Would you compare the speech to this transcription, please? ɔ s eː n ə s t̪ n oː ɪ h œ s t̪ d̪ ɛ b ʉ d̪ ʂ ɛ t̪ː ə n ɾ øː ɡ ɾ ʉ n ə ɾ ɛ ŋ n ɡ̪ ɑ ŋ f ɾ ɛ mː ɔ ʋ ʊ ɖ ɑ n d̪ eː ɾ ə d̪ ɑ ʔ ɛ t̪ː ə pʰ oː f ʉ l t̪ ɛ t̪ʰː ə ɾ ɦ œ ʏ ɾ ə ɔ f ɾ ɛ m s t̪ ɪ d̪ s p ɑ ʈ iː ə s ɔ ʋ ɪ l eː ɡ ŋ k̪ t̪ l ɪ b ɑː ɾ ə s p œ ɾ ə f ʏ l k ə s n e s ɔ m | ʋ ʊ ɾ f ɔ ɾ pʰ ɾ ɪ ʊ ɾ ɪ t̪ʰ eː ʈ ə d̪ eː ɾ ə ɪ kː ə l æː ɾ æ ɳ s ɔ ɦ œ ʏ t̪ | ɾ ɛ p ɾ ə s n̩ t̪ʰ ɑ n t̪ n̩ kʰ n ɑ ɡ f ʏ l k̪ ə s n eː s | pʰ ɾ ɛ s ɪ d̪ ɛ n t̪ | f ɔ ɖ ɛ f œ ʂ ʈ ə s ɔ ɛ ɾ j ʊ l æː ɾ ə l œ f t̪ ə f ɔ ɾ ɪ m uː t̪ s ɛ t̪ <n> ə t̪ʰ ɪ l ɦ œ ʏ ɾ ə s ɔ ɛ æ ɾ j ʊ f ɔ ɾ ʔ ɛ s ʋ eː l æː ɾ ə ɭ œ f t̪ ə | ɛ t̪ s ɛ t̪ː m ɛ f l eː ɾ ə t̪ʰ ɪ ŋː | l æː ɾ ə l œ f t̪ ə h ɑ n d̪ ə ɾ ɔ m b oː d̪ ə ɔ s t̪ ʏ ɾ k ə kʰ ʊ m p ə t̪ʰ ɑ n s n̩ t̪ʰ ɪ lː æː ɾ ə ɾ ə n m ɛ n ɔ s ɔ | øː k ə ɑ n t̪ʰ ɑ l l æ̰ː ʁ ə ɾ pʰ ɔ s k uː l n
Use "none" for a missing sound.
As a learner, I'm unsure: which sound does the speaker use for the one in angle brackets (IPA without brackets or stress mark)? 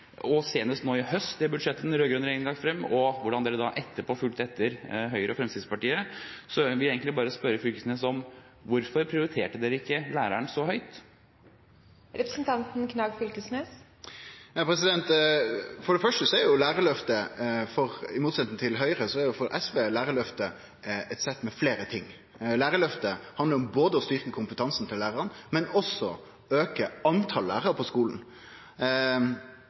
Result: n